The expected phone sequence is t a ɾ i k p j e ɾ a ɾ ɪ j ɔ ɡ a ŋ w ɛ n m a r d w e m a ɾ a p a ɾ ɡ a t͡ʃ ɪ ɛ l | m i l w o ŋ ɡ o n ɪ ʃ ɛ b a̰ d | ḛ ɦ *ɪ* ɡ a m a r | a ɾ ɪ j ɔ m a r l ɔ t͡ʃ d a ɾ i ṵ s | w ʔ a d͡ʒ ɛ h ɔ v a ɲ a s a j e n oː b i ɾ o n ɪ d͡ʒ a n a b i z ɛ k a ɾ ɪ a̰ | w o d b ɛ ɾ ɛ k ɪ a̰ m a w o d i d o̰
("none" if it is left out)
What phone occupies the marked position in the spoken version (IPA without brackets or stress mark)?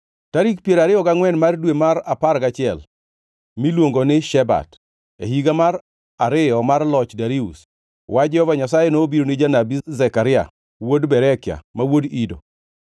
i